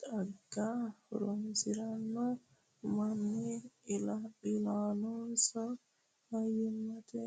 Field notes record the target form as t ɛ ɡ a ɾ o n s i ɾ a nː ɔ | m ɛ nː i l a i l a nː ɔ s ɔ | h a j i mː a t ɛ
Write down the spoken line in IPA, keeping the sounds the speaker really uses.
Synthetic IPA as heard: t a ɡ a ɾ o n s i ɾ a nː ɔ | m a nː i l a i l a n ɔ s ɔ | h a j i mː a t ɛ